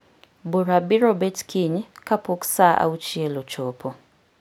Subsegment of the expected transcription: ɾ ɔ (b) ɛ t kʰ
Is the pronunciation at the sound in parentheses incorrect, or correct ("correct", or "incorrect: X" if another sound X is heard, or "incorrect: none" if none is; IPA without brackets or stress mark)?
correct